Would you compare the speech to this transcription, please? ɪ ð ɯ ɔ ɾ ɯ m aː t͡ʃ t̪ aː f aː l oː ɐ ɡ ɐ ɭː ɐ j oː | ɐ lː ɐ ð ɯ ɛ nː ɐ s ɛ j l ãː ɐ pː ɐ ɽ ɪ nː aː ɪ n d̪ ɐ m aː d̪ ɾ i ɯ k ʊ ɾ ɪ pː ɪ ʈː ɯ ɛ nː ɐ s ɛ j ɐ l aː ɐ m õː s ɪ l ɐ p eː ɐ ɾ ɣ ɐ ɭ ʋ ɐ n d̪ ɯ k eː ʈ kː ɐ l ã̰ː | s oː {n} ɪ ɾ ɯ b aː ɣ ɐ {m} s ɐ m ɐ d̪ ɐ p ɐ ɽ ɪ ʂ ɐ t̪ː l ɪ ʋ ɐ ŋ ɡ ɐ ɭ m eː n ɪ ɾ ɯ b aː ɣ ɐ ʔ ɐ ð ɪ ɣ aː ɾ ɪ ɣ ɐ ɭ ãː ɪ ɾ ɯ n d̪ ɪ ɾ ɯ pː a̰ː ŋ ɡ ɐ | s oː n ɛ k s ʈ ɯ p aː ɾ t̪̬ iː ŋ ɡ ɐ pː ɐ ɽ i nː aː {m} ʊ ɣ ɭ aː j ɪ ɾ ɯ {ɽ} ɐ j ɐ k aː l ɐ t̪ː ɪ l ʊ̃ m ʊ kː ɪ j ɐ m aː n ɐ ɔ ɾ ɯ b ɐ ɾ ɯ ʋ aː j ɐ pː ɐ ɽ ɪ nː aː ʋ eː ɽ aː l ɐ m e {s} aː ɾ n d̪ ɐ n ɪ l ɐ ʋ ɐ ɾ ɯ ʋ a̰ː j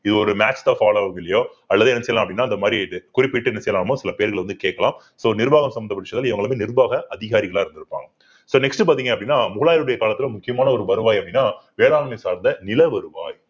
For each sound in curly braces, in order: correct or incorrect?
correct, correct, correct, correct, correct

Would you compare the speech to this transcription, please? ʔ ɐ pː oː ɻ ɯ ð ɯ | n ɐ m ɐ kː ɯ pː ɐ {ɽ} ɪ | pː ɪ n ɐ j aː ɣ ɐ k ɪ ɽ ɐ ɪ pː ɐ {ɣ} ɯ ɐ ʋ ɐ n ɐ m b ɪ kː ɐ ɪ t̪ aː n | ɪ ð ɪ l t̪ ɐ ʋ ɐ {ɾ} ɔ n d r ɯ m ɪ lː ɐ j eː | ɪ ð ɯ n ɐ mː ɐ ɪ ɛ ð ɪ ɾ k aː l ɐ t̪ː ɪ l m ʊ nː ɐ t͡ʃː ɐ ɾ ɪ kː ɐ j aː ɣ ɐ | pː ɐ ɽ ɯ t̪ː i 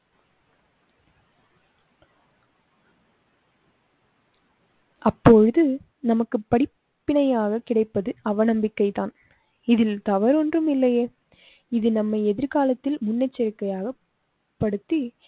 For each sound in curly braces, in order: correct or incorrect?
correct, incorrect: ð, correct

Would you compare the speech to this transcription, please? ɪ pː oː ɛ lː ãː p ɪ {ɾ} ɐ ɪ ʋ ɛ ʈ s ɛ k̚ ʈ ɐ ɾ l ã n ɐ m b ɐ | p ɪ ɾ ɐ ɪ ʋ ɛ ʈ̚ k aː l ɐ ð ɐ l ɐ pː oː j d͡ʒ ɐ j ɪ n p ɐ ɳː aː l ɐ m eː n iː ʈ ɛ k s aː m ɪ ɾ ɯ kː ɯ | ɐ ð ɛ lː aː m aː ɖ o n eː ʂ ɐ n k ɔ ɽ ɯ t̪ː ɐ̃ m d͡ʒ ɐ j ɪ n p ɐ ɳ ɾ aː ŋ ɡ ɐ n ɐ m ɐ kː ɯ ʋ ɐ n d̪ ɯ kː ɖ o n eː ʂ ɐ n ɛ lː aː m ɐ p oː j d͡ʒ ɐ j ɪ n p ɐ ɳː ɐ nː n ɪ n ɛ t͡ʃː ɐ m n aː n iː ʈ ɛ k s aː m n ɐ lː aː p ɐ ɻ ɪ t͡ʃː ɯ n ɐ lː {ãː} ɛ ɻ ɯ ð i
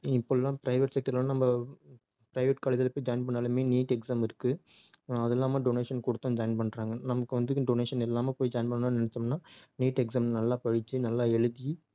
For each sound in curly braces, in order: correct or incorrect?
correct, incorrect: aː

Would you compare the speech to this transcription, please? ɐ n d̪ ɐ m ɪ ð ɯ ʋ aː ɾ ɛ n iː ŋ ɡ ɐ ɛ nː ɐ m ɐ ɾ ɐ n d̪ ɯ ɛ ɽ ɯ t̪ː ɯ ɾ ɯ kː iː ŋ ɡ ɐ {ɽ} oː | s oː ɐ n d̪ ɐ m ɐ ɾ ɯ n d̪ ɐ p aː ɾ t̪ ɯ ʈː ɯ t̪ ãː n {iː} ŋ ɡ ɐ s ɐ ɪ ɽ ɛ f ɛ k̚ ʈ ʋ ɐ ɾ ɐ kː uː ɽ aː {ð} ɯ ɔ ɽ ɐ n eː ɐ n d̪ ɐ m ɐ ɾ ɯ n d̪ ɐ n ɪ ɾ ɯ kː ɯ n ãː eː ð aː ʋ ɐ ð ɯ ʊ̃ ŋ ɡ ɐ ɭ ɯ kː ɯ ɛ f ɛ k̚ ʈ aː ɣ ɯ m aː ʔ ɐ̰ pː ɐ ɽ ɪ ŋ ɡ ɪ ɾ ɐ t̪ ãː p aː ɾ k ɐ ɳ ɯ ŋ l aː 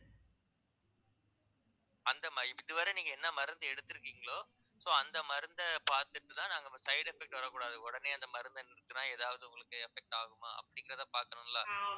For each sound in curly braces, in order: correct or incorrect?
incorrect: ɭ, incorrect: aː, correct

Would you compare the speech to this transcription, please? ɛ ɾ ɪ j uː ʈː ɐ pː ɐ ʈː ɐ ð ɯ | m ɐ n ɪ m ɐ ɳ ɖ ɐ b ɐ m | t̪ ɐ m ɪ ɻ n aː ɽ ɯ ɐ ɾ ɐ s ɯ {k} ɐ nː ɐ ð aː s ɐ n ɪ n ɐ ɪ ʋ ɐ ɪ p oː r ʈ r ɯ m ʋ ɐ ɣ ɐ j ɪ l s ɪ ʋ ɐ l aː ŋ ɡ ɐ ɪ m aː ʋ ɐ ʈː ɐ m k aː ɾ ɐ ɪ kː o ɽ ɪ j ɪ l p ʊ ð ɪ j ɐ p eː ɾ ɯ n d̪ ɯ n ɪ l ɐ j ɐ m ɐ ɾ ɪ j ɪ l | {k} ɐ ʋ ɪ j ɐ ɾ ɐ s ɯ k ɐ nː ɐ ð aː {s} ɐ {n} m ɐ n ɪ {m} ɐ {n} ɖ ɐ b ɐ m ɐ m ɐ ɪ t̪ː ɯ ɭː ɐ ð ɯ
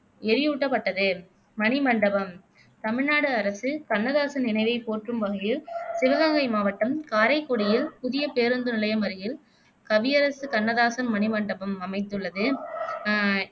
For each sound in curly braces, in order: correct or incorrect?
correct, correct, correct, correct, correct, incorrect: ɳ

